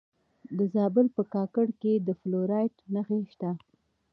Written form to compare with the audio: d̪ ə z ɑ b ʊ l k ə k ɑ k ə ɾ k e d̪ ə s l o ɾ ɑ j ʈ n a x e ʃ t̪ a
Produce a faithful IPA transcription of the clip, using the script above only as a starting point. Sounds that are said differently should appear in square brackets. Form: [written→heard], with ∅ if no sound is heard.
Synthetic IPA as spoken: d̪ ə z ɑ b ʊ l [k→p] ə k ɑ k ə [ɾ→ɽ] k e d̪ ə [s→f] l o ɾ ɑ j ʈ n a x e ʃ t̪ a